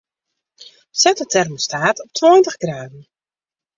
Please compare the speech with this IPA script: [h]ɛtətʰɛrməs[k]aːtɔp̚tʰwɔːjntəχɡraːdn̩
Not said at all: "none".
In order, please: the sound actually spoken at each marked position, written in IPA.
s, t

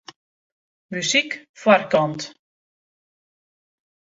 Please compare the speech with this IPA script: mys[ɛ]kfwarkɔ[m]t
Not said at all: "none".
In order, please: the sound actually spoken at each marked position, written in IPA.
i, n

